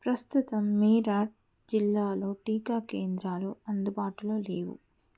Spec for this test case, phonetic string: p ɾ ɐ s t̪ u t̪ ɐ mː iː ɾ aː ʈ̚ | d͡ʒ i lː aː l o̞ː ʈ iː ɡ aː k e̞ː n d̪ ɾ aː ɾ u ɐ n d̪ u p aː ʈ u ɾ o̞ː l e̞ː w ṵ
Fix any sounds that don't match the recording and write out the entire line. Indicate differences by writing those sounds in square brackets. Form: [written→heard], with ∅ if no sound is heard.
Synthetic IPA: p ɾ ɐ s t̪ u t̪ ɐ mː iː ɾ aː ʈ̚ | d͡ʒ i lː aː l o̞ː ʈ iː [ɡ→k] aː k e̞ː n d̪ ɾ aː [ɾ→l] u ɐ n d̪ u [p→b] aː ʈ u [ɾ→l] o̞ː l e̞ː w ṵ

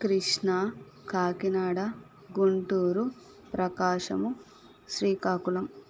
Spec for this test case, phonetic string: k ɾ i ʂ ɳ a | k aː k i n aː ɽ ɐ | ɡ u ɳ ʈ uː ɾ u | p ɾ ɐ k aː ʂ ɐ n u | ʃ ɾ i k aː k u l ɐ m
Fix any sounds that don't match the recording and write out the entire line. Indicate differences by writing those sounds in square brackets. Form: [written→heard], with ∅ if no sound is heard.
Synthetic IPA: k ɾ i ʂ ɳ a | k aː k i n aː ɽ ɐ | ɡ u ɳ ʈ uː ɾ u | p ɾ ɐ k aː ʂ ɐ [n→m] u | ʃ ɾ [i→iː] k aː k u l ɐ m

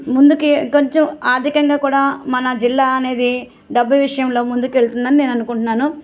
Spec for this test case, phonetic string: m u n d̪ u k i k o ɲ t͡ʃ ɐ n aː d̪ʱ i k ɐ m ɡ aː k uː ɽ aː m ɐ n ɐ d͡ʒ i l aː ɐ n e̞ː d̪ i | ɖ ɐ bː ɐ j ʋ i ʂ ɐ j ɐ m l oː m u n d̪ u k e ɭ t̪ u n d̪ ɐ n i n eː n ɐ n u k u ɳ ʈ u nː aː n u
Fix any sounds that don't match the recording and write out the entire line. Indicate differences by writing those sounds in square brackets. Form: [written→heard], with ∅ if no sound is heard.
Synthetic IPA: m u n d̪ u k i k o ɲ t͡ʃ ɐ [n→m] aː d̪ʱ i k ɐ [m→ŋ] ɡ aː k uː ɽ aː m ɐ n ɐ d͡ʒ i [l→lː] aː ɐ n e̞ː d̪ i | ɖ ɐ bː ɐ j ʋ i ʂ ɐ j ɐ m l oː m u n d̪ u k e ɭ t̪ u n d̪ ɐ n i n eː n ɐ n u k u ɳ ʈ u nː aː n u

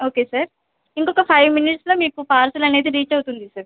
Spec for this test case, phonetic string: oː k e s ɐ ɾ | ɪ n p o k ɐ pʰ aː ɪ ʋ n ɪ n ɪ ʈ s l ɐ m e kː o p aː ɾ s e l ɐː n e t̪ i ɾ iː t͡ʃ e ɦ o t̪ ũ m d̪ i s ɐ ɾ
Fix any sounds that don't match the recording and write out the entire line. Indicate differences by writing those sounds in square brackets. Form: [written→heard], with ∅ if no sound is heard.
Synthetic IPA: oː k e s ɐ ɾ | ɪ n [p→k] o k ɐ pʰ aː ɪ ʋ [n→m] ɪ n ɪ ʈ s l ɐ m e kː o p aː ɾ s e l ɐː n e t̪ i ɾ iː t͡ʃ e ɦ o t̪ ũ [m→n] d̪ i s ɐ ɾ

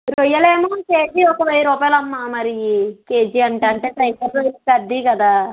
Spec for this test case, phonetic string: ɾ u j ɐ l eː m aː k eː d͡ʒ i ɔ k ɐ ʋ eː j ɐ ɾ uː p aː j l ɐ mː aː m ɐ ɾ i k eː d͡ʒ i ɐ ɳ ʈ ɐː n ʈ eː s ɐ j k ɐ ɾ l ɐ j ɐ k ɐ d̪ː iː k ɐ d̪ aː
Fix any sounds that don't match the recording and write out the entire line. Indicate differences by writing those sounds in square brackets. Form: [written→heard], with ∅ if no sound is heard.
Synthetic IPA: ɾ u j ɐ l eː m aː k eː d͡ʒ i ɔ k ɐ ʋ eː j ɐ ɾ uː p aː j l ɐ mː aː m ɐ ɾ i k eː d͡ʒ i ɐ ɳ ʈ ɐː [n→ɳ] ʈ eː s ɐ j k ɐ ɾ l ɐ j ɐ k ɐ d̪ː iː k ɐ d̪ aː

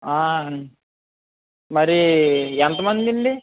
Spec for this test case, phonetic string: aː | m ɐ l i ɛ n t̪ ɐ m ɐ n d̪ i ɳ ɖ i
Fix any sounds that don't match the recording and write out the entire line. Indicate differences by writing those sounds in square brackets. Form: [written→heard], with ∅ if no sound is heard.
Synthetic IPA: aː | m ɐ [l→ɾ] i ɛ n t̪ ɐ m ɐ n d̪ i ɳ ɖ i

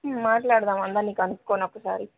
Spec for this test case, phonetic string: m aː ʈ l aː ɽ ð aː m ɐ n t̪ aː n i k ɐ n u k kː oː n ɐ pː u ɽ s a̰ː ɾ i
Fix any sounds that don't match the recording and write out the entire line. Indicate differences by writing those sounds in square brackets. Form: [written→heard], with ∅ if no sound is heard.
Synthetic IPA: m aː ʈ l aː ɽ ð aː m ɐ n [t̪→d̪] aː n [i→iː] k ɐ n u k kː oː n ɐ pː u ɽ s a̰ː ɾ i

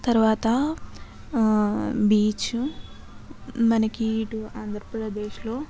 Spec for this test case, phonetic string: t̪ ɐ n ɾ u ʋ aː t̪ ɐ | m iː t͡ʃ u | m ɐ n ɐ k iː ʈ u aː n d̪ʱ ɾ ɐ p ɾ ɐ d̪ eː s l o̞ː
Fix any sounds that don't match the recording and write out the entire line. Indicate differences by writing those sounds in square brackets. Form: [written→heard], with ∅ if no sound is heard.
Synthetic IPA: t̪ ɐ [n→∅] ɾ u ʋ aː t̪ ɐ | [m→b] iː t͡ʃ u | m ɐ n ɐ k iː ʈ u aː n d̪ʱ ɾ ɐ p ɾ ɐ d̪ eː [s→ʃ] l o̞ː

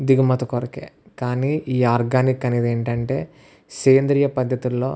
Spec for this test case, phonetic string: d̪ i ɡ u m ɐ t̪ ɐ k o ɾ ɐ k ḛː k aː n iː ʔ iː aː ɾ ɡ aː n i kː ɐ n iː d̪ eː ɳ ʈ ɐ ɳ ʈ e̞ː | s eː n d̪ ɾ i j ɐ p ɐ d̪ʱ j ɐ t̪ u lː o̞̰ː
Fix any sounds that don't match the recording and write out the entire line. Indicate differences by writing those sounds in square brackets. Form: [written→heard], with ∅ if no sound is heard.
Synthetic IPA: d̪ i ɡ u m ɐ t̪ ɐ k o ɾ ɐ k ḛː k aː n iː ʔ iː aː ɾ ɡ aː n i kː ɐ n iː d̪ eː ɳ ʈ ɐ ɳ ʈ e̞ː | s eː n d̪ ɾ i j ɐ p ɐ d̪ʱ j ɐ t̪ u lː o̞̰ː

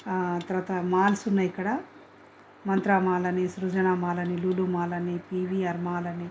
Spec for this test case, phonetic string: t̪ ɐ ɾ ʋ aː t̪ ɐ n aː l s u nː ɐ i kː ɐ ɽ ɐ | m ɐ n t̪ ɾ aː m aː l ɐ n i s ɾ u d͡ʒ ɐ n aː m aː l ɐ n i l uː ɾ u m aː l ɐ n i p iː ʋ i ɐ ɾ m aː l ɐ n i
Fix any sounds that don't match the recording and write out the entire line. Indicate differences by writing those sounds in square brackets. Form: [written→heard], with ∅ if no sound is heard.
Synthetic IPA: t̪ ɐ ɾ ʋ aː t̪ ɐ [n→m] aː l s u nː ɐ i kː ɐ ɽ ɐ | m ɐ n t̪ ɾ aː m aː l ɐ n i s ɾ u d͡ʒ ɐ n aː m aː l ɐ n i l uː [ɾ→l] u m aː l ɐ n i p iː ʋ i ɐ ɾ m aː l ɐ n i

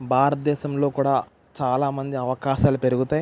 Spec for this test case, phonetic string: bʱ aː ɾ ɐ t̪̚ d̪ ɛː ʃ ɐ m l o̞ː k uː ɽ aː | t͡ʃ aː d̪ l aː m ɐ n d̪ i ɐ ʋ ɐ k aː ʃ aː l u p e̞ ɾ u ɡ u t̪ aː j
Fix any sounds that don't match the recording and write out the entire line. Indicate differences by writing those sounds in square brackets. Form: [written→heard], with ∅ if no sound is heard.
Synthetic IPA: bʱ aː ɾ ɐ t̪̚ d̪ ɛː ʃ ɐ m l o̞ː k uː ɽ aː | t͡ʃ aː [d̪→∅] l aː m ɐ n d̪ i ɐ ʋ ɐ k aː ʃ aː l u p e̞ ɾ u ɡ u t̪ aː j

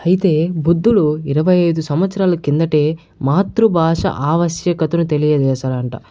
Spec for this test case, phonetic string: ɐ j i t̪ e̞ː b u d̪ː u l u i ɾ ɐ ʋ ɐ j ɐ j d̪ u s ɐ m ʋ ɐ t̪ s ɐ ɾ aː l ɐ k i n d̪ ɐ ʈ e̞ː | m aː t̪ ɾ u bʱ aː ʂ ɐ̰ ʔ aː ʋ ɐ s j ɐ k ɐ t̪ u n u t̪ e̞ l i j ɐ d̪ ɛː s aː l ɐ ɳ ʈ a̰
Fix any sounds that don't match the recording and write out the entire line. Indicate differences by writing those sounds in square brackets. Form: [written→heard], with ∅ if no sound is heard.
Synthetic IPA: ɐ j i t̪ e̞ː b u d̪ː u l u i ɾ ɐ ʋ ɐ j ɐ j d̪ u s ɐ m ʋ ɐ t̪ s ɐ ɾ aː l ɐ k i n d̪ ɐ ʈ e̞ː | m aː t̪ ɾ u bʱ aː ʂ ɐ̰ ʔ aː ʋ ɐ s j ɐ k ɐ t̪ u n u t̪ e̞ l i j ɐ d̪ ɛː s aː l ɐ ɳ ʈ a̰

